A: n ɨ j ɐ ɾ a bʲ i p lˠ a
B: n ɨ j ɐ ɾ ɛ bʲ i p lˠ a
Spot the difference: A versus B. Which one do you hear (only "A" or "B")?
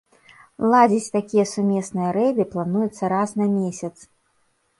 B